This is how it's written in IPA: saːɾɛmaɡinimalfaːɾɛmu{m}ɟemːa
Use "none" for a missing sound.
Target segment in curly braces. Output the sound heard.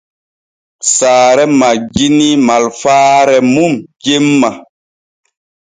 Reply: m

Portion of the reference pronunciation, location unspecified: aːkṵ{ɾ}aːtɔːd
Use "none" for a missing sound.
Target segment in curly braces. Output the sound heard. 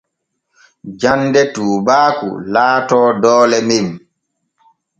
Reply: l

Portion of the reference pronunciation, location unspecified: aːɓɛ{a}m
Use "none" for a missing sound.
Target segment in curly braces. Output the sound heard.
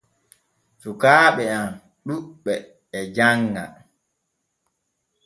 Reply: a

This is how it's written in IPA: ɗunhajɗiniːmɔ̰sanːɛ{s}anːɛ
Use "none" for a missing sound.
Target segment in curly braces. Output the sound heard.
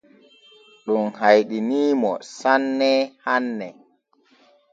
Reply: h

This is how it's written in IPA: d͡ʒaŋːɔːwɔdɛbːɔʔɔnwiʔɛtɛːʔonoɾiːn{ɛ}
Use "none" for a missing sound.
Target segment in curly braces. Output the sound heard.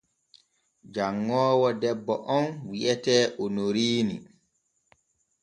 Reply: i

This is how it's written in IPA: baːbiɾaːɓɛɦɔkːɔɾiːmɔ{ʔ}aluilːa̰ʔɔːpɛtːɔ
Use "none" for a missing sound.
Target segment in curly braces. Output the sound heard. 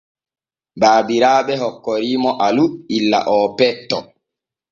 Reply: ʔ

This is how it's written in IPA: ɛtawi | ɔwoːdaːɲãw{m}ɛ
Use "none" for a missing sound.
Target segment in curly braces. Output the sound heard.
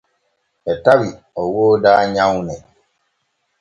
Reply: n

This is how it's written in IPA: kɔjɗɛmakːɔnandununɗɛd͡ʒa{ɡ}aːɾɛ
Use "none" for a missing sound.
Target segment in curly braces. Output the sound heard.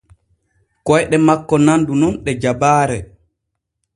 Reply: b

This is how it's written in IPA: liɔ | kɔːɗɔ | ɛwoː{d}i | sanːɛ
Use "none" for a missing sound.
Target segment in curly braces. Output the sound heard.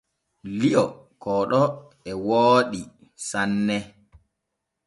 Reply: ɗ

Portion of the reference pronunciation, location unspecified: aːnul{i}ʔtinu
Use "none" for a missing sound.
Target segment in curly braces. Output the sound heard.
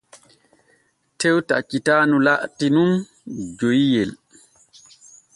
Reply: a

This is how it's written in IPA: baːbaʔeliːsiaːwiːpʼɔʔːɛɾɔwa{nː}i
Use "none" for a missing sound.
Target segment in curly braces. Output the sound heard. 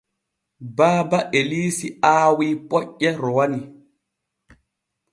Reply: n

